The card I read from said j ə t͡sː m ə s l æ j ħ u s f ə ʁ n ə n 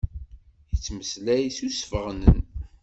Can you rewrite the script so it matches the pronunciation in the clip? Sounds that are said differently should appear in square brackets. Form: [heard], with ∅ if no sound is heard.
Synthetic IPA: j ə t͡sː m ə s l æ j [s] u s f ə ʁ n ə n